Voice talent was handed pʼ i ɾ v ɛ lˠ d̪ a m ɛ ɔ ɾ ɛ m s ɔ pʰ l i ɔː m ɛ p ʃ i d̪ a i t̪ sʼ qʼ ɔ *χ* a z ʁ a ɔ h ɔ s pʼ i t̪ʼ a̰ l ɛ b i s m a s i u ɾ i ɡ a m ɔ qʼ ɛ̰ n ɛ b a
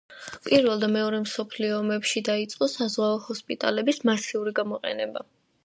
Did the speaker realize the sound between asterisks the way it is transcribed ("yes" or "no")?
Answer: no